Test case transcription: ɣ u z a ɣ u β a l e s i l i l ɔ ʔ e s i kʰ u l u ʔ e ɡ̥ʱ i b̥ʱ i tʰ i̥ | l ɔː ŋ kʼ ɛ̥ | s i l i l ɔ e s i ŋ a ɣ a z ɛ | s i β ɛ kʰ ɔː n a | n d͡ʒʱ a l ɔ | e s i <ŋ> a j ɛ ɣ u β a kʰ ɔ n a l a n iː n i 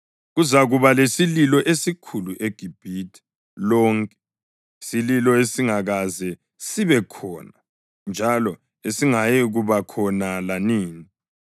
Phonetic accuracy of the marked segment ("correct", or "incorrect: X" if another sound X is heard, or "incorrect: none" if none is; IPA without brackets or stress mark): correct